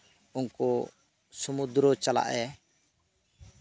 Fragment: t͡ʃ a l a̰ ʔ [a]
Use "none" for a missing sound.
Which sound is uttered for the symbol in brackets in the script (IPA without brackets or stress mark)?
ɛ